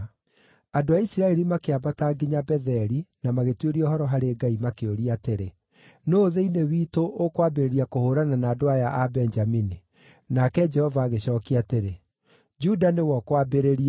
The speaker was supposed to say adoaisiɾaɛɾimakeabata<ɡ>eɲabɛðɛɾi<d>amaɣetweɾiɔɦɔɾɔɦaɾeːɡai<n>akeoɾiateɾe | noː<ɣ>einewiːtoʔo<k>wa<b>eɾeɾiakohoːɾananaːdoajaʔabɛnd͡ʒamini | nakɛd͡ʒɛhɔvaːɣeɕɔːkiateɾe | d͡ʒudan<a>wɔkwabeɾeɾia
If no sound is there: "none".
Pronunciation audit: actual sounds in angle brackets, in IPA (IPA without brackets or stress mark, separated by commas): ɡ, n, m, ð, k, b, e